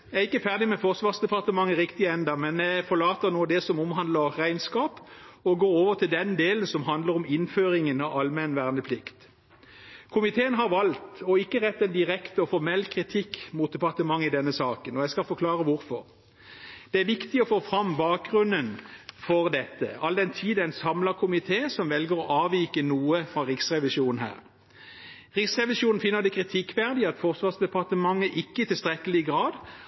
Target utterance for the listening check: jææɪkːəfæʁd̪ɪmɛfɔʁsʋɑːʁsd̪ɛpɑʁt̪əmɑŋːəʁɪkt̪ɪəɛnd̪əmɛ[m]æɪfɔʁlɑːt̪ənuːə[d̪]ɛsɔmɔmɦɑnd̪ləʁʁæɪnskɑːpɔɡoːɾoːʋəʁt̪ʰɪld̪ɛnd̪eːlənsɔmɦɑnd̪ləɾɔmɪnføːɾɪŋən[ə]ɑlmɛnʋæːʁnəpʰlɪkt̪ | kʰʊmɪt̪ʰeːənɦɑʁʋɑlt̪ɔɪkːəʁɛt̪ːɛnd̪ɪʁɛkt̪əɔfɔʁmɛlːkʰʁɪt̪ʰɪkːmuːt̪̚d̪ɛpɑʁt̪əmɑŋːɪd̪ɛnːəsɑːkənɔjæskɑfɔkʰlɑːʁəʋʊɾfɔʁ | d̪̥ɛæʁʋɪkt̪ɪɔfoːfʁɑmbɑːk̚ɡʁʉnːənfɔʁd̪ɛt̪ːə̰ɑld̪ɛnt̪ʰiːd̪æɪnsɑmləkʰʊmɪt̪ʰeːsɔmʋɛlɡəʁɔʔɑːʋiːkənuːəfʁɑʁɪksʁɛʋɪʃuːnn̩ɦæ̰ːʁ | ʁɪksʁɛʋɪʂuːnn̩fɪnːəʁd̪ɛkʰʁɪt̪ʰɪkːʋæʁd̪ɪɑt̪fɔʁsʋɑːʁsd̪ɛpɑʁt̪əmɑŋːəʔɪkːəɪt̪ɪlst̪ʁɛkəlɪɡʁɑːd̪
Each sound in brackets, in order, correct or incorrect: incorrect, correct, incorrect

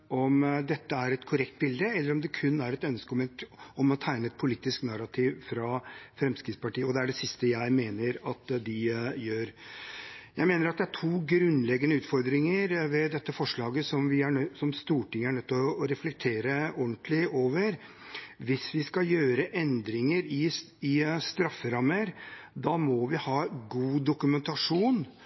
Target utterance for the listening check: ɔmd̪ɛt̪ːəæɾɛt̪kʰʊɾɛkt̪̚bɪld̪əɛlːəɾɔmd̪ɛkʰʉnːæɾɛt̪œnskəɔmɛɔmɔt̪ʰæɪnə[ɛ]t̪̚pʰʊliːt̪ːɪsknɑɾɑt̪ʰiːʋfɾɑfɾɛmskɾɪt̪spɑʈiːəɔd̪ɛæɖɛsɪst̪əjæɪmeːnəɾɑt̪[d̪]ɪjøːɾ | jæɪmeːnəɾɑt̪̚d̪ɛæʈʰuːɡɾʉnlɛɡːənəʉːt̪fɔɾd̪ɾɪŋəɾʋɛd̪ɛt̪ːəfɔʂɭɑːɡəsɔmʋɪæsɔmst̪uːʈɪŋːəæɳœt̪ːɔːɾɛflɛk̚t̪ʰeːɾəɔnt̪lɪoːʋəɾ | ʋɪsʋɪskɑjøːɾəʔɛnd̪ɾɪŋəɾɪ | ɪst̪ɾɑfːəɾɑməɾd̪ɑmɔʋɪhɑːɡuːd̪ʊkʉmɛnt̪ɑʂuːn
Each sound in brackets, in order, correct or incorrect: correct, correct

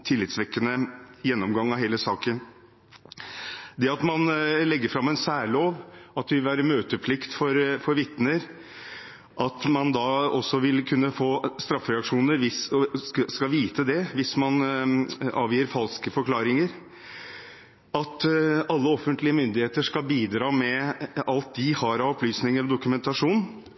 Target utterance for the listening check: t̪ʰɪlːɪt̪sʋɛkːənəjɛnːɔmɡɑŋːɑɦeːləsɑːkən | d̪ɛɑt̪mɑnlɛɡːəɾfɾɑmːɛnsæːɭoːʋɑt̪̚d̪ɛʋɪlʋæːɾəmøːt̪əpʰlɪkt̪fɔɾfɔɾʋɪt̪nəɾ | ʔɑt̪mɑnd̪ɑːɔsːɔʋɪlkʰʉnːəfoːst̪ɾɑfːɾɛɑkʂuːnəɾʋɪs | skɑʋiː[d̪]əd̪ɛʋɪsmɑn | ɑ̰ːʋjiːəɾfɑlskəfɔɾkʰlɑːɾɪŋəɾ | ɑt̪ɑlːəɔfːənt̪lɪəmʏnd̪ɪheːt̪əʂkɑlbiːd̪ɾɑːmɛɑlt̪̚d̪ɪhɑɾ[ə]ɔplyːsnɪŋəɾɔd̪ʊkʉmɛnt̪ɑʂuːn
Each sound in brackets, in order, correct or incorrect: incorrect, incorrect

